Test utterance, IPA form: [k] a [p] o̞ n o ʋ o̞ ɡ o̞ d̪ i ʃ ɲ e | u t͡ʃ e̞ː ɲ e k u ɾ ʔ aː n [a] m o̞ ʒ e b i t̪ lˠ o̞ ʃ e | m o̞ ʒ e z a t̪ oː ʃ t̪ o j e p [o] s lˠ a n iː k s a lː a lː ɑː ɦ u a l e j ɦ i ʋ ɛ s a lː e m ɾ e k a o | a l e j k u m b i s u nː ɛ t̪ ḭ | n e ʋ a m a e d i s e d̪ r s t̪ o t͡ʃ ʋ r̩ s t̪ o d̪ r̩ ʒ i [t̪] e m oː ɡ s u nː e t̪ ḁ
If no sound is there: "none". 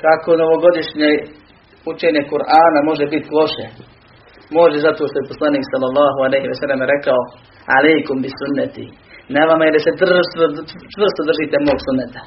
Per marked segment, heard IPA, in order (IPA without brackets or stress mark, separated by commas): k, k, a, o, t̪